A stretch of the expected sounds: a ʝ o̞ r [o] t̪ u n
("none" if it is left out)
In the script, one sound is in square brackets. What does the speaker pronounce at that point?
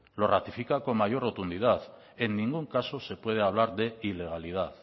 o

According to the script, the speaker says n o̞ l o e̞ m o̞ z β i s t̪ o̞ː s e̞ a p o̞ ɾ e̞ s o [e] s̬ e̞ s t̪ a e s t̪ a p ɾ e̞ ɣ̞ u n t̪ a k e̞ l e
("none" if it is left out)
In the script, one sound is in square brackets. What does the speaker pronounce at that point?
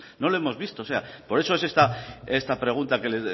e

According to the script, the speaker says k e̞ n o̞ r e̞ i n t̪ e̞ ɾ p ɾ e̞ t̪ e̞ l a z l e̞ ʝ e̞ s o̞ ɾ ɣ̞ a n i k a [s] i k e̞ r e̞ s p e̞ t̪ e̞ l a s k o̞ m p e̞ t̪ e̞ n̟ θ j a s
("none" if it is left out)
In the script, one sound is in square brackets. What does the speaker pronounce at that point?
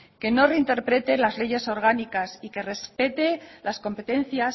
s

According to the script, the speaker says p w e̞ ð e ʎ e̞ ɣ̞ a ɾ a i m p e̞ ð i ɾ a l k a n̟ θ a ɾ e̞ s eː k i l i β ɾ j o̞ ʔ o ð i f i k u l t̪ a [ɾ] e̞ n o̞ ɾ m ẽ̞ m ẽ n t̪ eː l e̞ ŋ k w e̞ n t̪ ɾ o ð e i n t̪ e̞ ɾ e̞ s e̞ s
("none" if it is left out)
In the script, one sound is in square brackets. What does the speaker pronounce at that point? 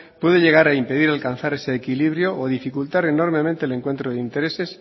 ɾ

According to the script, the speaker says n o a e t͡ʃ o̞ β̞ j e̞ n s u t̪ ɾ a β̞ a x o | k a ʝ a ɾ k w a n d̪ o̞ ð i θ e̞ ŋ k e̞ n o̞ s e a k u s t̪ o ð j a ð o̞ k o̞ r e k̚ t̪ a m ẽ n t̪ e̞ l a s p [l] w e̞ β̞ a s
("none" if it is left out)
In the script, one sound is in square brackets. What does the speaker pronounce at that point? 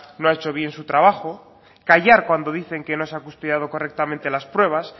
ɾ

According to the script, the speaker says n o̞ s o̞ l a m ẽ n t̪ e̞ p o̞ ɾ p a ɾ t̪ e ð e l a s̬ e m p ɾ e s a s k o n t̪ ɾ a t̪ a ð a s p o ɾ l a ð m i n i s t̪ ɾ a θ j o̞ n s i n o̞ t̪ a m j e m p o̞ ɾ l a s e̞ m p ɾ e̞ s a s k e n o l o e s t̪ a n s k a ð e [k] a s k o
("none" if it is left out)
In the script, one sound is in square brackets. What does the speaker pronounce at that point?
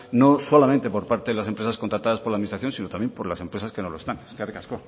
k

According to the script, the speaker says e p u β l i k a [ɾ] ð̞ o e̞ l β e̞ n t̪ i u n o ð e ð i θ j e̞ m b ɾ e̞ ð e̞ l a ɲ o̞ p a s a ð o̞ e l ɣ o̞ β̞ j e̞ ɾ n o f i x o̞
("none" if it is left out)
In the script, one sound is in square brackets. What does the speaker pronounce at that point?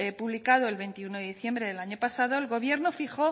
none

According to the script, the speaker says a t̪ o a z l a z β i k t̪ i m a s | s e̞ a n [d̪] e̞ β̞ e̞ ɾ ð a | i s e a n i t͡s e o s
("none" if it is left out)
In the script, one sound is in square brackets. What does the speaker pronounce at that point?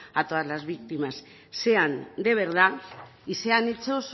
d̪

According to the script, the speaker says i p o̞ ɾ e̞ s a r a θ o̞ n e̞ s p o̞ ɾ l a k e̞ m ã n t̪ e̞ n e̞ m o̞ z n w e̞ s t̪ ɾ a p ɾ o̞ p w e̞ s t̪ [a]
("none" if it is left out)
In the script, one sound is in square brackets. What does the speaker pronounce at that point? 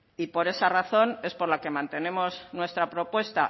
a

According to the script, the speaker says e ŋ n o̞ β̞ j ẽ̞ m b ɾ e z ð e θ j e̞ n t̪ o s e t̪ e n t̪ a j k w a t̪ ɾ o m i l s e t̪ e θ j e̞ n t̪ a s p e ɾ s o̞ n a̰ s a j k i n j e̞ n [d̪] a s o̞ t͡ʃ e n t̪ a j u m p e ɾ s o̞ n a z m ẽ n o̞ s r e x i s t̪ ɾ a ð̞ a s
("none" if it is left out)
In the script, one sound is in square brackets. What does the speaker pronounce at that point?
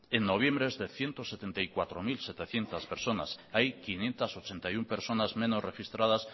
t̪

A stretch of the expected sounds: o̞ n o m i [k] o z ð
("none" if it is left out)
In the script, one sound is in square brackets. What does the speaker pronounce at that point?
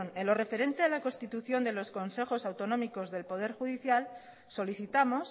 k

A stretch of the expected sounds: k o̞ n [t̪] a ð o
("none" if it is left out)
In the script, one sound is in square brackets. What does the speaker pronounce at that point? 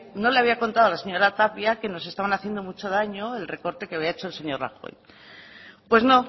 t̪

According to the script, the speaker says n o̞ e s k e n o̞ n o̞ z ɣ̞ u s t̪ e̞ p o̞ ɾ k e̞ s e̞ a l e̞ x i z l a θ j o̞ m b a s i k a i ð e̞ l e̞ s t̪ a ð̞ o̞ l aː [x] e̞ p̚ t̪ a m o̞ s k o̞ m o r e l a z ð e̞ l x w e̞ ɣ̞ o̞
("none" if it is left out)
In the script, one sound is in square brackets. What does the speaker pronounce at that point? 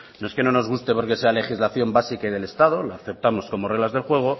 θ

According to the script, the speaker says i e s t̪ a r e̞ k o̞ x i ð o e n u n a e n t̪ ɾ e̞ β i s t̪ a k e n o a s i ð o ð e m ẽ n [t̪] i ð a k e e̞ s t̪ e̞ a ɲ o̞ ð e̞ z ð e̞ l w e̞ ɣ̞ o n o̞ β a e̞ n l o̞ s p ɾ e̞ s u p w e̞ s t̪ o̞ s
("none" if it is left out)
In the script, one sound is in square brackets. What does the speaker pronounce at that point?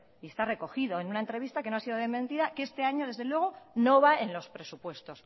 t̪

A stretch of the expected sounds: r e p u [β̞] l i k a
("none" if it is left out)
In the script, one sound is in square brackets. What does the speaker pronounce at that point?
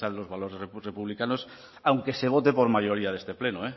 β̞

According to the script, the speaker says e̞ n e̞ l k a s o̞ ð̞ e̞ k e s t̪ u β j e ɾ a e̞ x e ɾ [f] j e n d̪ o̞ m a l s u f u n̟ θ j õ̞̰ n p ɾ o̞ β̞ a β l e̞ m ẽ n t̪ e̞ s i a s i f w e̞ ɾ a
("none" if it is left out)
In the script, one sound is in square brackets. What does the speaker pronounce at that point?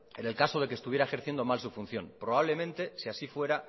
θ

